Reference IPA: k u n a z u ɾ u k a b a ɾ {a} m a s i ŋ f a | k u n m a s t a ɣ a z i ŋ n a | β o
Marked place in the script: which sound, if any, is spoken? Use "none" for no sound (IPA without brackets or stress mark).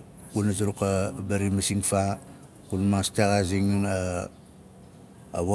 i